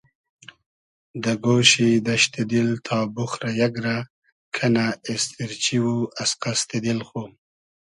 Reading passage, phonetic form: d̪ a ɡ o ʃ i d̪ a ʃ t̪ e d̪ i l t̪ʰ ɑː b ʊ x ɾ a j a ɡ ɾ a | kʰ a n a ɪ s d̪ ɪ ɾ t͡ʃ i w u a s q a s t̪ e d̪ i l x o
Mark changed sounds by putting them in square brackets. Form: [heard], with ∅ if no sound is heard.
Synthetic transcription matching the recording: d̪ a ɡ o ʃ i d̪ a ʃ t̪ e d̪ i l t̪ʰ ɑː b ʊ x ɾ a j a ɡ ɾ a | kʰ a n a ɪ s [t̪] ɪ ɾ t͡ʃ i w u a s q a s t̪ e d̪ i l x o

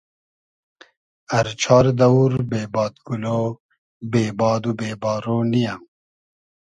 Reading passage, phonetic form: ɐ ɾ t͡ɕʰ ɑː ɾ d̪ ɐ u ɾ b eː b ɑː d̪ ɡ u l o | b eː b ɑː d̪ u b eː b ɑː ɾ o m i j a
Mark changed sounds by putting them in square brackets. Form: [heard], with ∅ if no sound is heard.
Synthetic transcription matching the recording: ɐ ɾ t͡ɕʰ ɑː ɾ d̪ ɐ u ɾ b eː b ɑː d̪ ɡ u l o | b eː b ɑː d̪ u b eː b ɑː ɾ o [n] i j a

